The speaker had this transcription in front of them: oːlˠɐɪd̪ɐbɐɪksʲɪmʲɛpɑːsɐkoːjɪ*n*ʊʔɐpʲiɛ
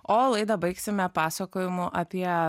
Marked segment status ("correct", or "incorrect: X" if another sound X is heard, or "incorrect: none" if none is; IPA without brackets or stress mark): incorrect: m